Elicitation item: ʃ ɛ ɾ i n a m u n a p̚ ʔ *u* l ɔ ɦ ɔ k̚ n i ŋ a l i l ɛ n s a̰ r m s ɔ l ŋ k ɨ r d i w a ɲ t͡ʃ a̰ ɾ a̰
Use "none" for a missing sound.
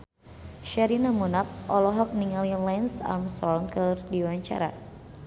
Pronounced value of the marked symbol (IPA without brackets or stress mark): ɔ